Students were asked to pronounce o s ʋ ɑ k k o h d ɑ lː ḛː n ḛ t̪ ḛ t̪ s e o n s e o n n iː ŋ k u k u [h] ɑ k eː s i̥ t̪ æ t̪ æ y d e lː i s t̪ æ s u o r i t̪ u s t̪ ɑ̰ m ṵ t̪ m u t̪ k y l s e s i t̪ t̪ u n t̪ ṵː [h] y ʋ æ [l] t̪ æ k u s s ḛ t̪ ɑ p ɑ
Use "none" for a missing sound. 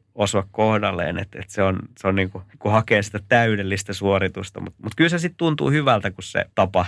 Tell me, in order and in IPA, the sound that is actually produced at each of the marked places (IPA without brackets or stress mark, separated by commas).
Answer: h, h, l